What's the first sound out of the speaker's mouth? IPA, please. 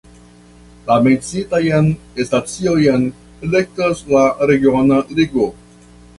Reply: l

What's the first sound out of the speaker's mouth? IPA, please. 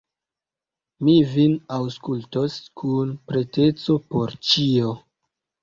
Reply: m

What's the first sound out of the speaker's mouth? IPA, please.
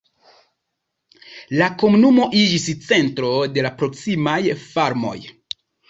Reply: l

